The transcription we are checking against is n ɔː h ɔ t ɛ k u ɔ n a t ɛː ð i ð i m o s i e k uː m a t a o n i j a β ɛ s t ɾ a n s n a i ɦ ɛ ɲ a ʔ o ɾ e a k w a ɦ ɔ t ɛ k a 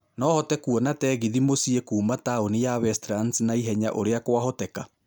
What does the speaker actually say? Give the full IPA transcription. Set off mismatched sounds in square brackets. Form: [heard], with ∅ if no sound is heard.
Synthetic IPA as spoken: n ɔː h ɔ t ɛ k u ɔ n a t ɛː [ɣ] i ð i m o s i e k uː m a t a o n i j a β ɛ s t ɾ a n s n a i ɦ ɛ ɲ a ʔ o ɾ e a k w a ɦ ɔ t ɛ k a